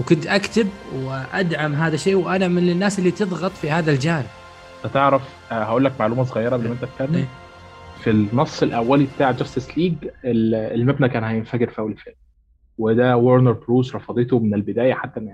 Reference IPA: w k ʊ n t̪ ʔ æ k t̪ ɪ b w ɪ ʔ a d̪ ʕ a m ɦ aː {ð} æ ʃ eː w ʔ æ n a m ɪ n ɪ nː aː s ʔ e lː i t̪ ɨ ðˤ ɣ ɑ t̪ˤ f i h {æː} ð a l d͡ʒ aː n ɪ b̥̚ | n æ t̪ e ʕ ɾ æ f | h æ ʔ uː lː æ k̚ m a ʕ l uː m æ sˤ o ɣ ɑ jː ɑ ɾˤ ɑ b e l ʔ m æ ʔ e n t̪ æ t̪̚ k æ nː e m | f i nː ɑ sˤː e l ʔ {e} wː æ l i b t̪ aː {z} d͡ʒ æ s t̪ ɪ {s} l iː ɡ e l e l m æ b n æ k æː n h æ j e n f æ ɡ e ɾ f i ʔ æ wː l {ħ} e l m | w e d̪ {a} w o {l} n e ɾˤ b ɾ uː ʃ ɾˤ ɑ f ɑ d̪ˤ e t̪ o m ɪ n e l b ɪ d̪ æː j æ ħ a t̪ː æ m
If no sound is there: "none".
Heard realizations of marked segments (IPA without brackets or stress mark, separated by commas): ð, aː, æ, ʕ, s, f, æ, ɾ